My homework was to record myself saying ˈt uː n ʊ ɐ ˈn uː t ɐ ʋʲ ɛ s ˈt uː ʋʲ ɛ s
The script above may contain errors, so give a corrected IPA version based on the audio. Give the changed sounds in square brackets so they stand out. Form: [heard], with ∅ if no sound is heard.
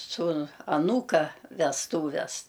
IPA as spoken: [ˈs] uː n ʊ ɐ ˈn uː [k] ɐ ʋʲ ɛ s ˈt uː ʋʲ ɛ s